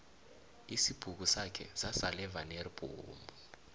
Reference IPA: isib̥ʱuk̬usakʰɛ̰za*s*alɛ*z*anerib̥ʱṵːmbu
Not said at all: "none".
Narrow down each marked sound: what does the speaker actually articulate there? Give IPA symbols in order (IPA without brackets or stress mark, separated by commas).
s, v